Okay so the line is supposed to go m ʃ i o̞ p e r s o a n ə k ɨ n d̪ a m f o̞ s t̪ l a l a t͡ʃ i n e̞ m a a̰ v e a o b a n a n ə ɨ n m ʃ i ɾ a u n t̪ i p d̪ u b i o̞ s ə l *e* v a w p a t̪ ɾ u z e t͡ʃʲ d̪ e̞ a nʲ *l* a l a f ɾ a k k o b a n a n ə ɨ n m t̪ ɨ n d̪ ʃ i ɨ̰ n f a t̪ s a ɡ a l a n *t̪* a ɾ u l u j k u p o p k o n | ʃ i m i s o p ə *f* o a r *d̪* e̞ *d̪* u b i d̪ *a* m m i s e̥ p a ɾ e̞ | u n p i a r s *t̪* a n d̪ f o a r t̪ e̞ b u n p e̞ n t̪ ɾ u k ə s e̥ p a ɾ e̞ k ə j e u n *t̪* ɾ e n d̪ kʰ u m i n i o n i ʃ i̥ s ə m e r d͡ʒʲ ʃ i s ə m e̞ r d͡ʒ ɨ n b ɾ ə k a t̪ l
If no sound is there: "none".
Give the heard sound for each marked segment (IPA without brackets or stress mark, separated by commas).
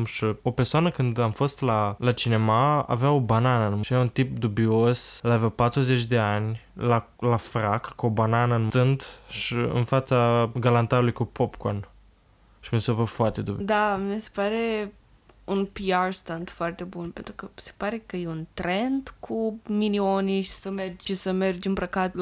a, l, t̪, f, t̪, d̪, a, t̪, t̪